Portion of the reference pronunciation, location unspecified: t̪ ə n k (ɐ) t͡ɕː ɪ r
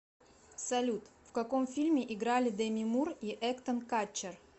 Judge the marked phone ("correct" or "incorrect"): incorrect